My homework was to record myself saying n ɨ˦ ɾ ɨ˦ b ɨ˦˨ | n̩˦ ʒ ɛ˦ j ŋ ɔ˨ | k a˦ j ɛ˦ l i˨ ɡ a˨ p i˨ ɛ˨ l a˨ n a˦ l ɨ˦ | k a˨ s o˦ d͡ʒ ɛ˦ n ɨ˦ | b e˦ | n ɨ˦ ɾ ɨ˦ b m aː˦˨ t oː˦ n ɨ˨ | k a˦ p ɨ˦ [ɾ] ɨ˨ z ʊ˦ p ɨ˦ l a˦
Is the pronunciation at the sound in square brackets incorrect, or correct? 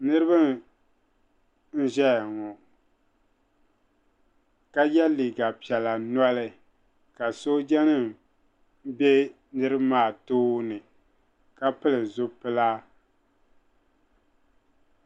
incorrect